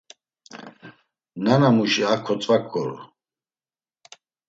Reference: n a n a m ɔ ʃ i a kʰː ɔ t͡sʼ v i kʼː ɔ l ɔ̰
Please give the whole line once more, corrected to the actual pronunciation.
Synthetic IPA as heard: n a n a m u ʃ i a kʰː ɔ t͡sʼ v a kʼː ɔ ɾ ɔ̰